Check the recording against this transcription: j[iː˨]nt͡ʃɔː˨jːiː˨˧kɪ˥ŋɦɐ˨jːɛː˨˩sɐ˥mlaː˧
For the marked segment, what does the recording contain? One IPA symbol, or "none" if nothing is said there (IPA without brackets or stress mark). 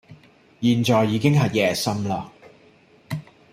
iː˨